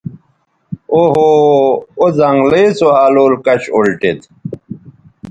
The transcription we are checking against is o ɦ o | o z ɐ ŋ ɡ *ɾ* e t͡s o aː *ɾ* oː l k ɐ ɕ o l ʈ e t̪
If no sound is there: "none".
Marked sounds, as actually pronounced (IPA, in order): l, l

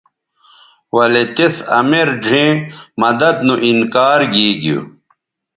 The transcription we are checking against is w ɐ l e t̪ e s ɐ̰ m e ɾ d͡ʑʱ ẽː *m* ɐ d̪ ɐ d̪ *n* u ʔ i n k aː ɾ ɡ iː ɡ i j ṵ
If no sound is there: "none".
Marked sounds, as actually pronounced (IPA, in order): m, n

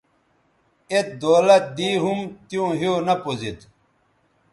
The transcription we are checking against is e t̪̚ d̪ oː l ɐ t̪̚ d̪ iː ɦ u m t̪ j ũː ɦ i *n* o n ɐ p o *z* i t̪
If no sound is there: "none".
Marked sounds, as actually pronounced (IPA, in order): none, z

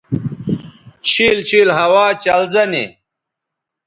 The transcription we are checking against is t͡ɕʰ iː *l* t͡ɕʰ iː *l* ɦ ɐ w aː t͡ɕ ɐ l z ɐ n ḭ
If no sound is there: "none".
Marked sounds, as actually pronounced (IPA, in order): l, l

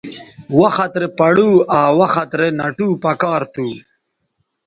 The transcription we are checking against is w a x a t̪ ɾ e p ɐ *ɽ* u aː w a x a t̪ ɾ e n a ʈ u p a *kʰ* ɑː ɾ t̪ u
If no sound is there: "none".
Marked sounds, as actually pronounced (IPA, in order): ɽ, k

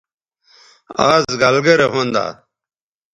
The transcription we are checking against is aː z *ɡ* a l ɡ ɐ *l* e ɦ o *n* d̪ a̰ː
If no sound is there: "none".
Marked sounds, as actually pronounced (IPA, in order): ɡ, ɾ, n

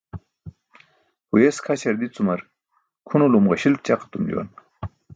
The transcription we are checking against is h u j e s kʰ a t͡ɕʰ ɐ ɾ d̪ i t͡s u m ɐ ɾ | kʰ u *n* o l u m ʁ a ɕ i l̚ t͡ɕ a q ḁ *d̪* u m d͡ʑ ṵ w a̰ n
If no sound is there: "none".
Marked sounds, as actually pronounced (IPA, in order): n, t̪

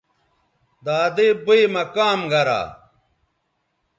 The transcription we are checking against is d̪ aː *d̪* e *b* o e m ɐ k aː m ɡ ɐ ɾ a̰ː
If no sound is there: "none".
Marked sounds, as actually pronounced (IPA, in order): d̪, b

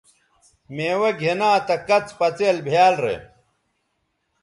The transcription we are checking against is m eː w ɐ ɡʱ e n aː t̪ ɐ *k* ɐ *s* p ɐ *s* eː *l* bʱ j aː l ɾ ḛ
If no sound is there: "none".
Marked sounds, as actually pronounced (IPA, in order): k, t͡s, t͡s, l

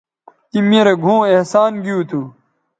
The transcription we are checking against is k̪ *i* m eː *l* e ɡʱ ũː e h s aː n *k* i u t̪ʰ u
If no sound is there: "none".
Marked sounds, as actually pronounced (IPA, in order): i, ɾ, ɡ

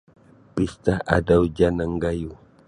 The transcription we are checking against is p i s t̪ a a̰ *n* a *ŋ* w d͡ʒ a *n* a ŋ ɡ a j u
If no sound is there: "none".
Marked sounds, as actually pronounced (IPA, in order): d, none, n

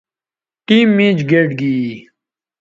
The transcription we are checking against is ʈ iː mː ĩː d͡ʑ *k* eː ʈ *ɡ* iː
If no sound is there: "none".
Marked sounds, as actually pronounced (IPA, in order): ɡ, ɡ

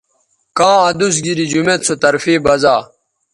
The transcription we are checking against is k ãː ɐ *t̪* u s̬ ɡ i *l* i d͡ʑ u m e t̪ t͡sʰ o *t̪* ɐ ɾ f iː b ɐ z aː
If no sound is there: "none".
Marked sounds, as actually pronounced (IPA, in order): d̪, ɾ, t̪

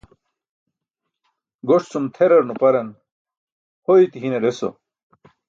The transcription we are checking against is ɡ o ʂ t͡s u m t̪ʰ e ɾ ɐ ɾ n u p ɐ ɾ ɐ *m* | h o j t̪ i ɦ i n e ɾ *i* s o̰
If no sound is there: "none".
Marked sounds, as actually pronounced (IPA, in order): n, e

